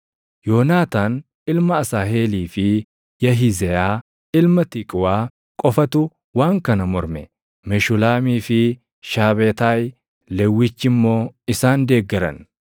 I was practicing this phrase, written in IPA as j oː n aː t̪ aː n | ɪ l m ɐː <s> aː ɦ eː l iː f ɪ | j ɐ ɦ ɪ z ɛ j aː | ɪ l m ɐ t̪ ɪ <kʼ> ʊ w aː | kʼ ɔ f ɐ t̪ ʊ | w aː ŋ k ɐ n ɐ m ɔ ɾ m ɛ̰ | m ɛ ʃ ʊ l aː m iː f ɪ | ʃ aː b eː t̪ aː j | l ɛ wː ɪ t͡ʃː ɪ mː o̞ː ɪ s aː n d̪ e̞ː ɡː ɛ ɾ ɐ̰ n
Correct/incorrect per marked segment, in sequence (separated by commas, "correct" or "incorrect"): correct, correct